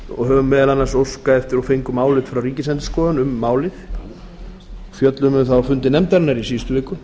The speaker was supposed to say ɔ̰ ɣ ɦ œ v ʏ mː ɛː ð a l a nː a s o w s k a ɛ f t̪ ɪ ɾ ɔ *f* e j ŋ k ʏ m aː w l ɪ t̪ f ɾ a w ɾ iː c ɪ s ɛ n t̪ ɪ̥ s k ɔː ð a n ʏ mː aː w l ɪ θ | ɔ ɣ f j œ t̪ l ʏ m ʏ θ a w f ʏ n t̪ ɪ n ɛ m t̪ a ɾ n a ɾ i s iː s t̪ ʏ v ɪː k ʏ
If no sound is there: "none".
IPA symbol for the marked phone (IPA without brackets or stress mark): f